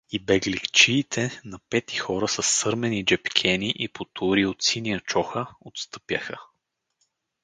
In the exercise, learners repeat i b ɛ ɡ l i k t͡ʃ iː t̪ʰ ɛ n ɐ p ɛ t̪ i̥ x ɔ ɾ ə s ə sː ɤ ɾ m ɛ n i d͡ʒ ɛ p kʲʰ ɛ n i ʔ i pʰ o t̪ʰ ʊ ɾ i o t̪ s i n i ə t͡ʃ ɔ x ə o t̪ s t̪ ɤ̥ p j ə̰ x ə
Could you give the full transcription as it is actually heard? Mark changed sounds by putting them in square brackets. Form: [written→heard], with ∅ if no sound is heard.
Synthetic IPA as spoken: i b ɛ ɡ l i k t͡ʃ iː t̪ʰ ɛ n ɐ p ɛ t̪ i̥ x ɔ ɾ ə s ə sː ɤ ɾ m ɛ n i d͡ʒ ɛ p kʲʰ ɛ n i ʔ i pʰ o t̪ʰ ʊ ɾ i o t̪ s i n i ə t͡ʃ ɔ x ə o t̪ s t̪ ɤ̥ p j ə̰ x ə

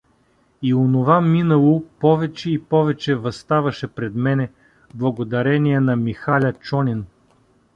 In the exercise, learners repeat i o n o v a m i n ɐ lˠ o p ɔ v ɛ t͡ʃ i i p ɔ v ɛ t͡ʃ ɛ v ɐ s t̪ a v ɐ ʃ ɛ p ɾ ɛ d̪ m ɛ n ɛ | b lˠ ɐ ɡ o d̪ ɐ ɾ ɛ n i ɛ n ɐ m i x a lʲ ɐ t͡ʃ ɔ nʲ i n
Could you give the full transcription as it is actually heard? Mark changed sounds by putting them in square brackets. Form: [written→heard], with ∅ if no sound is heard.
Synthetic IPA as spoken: i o n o v a m i n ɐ lˠ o p ɔ v ɛ t͡ʃ [i→ɛ] i p ɔ v ɛ t͡ʃ ɛ v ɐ s t̪ a v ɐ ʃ ɛ p ɾ ɛ d̪ m ɛ n ɛ | b lˠ ɐ ɡ o d̪ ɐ ɾ ɛ n i ɛ n ɐ m i x a lʲ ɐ t͡ʃ ɔ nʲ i n

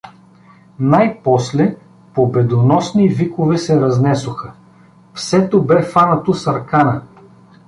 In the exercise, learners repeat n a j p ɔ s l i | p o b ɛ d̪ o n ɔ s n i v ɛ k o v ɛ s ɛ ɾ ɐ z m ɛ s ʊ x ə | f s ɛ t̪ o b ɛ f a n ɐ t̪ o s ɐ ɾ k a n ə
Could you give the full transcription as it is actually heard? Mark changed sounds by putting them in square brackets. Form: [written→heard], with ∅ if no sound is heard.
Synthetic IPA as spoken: n a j p ɔ s l [i→ɛ] | p o b ɛ d̪ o n ɔ s n i v [ɛ→i] k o v ɛ s ɛ ɾ ɐ z [m→n] ɛ s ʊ x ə | f s ɛ t̪ o b ɛ f a n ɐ t̪ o s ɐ ɾ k a n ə

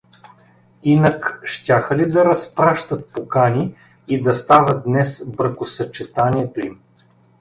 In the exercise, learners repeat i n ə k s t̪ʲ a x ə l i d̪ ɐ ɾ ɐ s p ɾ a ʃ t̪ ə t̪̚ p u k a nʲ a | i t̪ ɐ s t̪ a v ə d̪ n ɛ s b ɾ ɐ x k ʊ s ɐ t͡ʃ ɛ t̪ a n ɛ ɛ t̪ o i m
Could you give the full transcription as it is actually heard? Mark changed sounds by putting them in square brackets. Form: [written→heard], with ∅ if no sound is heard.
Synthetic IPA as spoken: i n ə k [s→ʃ] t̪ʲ a x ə l i d̪ ɐ ɾ ɐ s p ɾ a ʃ t̪ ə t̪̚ p [u→o] k a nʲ [a→i] | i [t̪→d̪] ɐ s t̪ a v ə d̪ n ɛ s b ɾ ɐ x k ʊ s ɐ t͡ʃ ɛ t̪ a n [ɛ→i] ɛ t̪ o i m

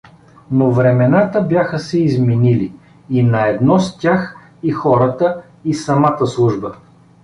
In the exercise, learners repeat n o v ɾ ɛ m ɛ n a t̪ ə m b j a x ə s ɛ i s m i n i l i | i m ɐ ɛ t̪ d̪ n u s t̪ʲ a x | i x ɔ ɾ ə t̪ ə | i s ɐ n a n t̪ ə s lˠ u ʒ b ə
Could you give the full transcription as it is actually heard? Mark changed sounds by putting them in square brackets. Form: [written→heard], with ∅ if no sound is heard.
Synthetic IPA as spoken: n o v ɾ ɛ m ɛ n a t̪ ə [m→∅] b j a x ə s ɛ i [s→z] m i n i l i | i [m→n] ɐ ɛ [t̪→∅] d̪ n [u→ɔ] s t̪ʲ a x | i x ɔ ɾ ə t̪ ə | i s ɐ [n→m] a [n→∅] t̪ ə s lˠ u ʒ b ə

